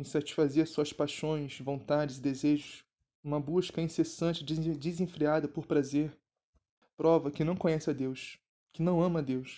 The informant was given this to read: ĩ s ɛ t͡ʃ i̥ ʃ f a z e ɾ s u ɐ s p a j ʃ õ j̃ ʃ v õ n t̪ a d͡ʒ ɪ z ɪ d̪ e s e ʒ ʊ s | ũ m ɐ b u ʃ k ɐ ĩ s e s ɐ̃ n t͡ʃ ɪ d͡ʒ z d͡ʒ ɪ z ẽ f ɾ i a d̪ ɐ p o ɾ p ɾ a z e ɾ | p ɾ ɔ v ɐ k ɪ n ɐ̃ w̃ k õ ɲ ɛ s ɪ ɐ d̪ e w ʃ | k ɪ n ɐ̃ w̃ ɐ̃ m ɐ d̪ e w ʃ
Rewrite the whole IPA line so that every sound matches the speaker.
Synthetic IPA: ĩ s a t͡ʃ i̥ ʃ f a z e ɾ s u ɐ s p a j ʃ õ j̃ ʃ v õ n t̪ a d͡ʒ ɪ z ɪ d̪ e z e ʒ ʊ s | ũ m ɐ b u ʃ k ɐ ĩ s e s ɐ̃ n t͡ʃ ɪ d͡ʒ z d͡ʒ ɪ z ẽ f ɾ i a d̪ ɐ p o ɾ p ɾ a z e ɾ | p ɾ ɔ v ɐ k ɪ n ɐ̃ w̃ k õ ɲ ɛ s ɪ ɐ d̪ e w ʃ | k ɪ n ɐ̃ w̃ ɐ̃ m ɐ d̪ e w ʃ